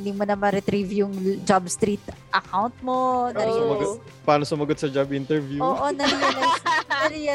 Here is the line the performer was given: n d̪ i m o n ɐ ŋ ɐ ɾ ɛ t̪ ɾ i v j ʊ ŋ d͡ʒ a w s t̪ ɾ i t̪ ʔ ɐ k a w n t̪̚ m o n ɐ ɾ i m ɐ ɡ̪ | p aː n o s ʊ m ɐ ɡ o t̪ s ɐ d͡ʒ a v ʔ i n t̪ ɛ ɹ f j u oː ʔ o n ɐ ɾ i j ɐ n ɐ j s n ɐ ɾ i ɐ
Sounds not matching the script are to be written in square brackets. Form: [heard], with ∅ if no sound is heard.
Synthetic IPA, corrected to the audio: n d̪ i m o n ɐ [m] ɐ ɾ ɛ t̪ ɾ i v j ʊ ŋ d͡ʒ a [b] s t̪ ɾ i t̪ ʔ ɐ k a w n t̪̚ m o n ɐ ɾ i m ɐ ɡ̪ | p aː n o s ʊ m ɐ ɡ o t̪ s ɐ d͡ʒ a [b] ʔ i n t̪ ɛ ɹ [v] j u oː ʔ o n ɐ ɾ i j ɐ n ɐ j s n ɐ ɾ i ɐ